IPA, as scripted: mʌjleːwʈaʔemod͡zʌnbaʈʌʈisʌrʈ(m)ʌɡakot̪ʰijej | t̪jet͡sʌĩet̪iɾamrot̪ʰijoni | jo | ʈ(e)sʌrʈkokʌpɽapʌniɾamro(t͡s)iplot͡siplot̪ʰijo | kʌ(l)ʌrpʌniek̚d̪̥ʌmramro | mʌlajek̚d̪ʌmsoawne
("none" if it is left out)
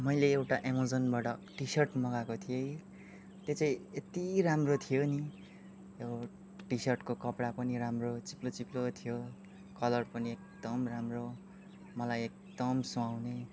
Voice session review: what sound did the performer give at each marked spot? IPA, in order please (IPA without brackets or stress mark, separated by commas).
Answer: m, i, t͡s, l